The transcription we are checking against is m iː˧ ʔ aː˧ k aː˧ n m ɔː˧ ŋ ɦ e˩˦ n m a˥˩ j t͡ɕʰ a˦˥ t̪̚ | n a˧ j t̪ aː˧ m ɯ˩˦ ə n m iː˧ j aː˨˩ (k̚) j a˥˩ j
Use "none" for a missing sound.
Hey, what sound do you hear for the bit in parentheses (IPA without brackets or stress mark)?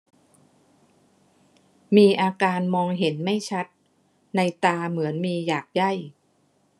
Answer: k̚